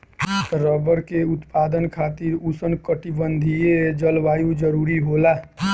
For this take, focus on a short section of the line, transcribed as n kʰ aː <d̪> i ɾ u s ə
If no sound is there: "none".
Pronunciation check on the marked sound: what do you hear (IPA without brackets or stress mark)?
t̪